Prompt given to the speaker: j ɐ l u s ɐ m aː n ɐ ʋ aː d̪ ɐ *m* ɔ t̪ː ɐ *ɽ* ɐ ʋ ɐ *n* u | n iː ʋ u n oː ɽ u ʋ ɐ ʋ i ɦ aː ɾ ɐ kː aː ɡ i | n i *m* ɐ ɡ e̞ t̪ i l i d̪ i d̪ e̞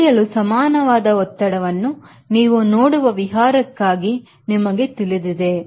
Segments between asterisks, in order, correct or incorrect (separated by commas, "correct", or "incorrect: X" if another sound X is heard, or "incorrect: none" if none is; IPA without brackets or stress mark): incorrect: none, correct, incorrect: nː, correct